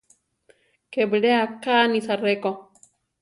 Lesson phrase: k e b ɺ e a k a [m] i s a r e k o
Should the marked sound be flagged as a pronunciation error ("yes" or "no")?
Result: yes